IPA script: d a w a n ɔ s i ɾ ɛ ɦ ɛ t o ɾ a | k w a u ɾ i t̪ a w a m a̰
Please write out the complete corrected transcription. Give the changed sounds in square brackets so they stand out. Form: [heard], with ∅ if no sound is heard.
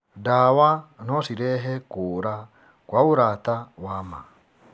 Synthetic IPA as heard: d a w a n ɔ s i ɾ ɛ ɦ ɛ [k] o ɾ a | k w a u ɾ [a] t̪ a w a m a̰